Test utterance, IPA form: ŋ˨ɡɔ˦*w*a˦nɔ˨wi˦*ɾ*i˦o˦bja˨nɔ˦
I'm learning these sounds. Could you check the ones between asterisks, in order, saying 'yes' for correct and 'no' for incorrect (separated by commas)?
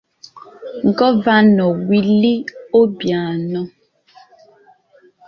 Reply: no, no